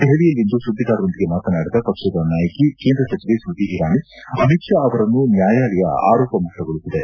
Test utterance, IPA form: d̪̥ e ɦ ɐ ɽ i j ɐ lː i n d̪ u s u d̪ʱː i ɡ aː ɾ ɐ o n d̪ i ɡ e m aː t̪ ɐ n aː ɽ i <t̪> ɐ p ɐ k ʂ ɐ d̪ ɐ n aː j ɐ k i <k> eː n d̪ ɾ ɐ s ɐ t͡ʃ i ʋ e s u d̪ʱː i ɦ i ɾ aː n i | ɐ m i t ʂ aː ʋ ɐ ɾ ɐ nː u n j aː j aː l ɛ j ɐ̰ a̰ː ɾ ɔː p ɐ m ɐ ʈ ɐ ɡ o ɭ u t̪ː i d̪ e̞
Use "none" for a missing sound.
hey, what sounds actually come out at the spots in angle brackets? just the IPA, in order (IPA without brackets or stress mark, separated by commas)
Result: d̪, k